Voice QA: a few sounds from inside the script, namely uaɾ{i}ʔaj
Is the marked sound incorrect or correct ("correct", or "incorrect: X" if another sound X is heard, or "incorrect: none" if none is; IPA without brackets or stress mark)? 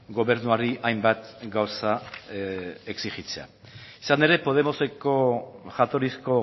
correct